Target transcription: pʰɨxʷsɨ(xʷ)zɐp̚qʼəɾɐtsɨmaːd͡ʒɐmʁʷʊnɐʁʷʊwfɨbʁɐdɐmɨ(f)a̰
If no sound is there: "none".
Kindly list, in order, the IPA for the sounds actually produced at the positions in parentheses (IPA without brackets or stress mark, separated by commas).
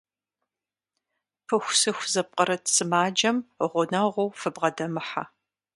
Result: xʷ, ħ